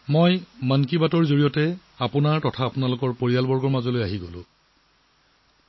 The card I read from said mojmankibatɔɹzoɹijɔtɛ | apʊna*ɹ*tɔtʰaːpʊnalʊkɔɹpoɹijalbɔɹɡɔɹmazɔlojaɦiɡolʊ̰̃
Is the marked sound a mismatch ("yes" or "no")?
no